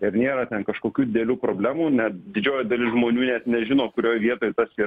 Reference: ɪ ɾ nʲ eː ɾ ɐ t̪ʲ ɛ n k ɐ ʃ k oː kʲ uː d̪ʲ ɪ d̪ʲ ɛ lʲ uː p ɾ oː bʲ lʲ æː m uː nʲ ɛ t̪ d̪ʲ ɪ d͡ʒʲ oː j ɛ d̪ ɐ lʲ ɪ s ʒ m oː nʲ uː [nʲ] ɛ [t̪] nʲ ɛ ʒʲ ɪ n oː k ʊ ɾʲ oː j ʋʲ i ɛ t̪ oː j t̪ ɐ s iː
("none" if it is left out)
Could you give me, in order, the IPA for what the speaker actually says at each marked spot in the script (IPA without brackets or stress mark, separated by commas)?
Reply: nʲ, t̪